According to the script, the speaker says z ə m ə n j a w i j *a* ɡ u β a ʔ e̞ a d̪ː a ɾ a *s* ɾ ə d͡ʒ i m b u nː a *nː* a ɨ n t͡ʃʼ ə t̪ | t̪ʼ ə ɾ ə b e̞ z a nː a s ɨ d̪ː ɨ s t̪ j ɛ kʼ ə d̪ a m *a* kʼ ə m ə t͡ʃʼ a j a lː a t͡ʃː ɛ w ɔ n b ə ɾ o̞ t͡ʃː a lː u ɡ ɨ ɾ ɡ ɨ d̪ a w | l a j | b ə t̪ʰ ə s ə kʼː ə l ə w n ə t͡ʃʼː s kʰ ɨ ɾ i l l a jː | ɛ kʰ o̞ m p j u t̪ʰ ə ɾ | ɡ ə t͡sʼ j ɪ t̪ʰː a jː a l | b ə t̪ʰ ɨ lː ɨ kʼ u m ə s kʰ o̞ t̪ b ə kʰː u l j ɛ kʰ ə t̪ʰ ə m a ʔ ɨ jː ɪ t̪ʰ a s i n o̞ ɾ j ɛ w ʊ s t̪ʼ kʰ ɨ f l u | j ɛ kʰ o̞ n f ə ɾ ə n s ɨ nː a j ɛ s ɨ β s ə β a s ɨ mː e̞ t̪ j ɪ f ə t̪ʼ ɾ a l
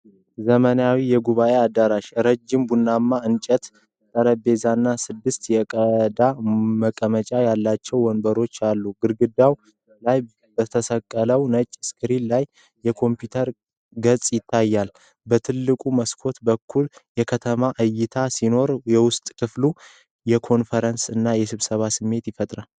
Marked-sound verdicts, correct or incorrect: incorrect: ɛ, incorrect: ʃ, incorrect: mː, incorrect: ə

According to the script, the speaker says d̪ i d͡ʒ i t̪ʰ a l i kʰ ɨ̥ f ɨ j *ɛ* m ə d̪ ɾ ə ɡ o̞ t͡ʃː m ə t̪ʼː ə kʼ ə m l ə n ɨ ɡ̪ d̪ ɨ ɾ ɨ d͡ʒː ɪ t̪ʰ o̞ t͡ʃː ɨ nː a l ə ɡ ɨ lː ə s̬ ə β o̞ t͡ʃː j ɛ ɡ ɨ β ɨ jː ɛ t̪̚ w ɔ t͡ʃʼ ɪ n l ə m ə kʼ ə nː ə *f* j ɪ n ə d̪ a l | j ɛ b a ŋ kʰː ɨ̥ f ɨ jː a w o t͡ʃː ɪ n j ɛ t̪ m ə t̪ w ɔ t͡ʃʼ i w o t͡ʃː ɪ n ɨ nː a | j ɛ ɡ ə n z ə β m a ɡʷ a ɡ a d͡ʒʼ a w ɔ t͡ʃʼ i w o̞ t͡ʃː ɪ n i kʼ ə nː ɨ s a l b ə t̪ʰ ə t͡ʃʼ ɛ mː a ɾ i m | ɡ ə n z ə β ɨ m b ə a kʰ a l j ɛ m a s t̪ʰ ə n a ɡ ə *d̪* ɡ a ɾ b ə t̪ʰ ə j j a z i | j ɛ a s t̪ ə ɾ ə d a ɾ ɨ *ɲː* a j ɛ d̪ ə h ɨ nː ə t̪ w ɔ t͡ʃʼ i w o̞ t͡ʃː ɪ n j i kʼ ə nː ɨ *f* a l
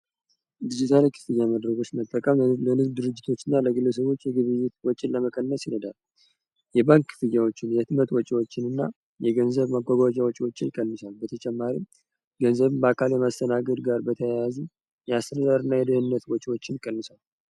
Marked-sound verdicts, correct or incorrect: incorrect: a, incorrect: s, correct, incorrect: nː, incorrect: s

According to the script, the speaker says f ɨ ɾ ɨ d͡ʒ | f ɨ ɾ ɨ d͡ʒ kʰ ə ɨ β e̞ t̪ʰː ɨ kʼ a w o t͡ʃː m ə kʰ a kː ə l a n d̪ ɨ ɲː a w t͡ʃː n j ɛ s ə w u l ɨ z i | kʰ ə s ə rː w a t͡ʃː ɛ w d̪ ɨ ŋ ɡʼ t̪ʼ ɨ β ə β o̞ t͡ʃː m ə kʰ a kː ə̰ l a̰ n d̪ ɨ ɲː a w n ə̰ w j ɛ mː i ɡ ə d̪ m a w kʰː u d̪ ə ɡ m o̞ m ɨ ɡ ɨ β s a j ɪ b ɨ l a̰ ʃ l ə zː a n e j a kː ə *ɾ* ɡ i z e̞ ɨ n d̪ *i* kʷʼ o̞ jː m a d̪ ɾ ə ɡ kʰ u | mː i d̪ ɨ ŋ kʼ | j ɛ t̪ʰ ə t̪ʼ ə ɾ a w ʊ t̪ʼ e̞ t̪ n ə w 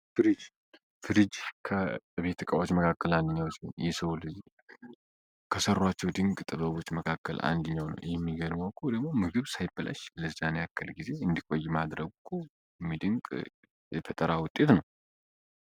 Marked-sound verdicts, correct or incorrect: incorrect: l, correct

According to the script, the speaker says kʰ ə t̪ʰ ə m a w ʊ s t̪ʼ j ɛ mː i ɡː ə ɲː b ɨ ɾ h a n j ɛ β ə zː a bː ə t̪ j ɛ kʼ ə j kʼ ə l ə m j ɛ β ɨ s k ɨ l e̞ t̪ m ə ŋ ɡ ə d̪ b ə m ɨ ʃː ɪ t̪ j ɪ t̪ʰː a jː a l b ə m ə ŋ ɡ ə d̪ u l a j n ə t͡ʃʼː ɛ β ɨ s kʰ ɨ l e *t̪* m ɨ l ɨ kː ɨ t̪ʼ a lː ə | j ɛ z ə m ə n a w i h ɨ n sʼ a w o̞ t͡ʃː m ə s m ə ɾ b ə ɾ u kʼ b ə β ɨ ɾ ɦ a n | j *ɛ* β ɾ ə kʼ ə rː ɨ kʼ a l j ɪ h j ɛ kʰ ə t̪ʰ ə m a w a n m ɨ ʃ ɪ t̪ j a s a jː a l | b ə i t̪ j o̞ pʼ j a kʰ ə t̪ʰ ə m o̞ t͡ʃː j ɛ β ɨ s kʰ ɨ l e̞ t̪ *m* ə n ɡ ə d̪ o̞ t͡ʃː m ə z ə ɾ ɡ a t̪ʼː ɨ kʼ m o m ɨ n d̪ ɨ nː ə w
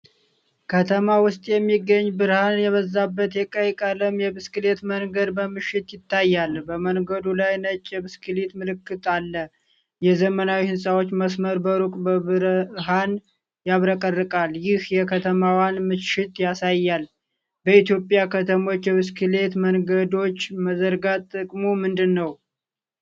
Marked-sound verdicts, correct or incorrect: correct, incorrect: a, correct

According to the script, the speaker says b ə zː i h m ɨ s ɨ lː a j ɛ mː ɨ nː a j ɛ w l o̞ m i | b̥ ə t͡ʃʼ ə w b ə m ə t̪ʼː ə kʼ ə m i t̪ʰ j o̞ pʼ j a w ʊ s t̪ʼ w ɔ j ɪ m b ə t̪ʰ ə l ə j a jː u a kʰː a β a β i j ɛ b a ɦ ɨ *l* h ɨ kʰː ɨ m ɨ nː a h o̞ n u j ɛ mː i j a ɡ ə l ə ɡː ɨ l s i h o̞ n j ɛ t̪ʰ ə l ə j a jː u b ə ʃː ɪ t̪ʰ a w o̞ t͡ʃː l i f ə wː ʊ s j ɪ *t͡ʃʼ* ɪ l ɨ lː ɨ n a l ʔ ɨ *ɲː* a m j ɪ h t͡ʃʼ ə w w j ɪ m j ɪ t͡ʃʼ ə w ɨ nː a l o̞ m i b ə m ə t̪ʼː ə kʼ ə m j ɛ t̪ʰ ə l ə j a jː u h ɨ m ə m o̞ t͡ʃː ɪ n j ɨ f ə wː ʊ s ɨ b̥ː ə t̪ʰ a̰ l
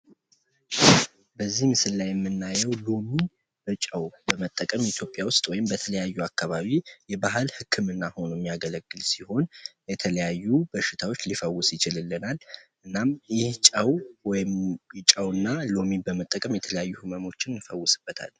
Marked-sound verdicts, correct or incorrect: correct, incorrect: t͡ʃ, incorrect: nː

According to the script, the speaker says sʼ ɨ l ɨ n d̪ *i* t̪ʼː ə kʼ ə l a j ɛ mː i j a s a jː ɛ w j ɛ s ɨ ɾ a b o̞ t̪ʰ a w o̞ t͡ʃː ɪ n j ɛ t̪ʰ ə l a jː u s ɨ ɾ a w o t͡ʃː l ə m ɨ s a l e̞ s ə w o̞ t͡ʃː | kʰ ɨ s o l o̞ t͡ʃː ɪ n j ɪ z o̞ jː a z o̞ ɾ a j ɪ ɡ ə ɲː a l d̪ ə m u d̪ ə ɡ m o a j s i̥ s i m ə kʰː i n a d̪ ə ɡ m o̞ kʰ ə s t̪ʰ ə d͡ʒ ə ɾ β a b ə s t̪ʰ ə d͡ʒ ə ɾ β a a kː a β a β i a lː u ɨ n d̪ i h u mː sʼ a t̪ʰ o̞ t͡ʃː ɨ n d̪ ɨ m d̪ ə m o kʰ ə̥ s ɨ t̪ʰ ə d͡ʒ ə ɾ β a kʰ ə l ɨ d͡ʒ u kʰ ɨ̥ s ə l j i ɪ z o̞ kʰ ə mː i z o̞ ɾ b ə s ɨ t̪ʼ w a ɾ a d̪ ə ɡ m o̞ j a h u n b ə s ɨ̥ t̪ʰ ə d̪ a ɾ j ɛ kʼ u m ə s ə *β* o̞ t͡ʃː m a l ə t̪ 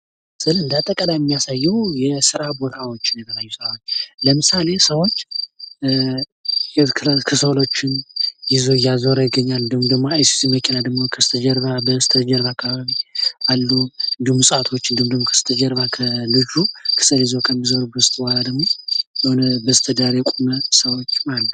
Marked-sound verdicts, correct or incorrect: incorrect: a, incorrect: w

